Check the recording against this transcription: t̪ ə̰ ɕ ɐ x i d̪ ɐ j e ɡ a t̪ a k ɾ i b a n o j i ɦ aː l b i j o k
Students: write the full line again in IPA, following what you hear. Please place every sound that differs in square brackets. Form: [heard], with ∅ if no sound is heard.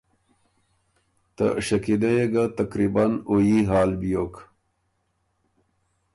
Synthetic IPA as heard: t̪ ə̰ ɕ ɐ [k] i d̪ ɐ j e ɡ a t̪ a k ɾ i b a n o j i ɦ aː l b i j o k